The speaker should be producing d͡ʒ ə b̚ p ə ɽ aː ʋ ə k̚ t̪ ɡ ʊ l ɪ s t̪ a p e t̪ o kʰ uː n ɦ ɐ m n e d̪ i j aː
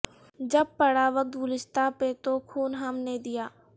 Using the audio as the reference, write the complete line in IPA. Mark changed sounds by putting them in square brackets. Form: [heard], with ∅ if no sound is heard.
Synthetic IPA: d͡ʒ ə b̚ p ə ɽ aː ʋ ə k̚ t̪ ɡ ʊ l ɪ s t̪ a p e t̪ o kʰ uː n ɦ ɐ m n e d̪ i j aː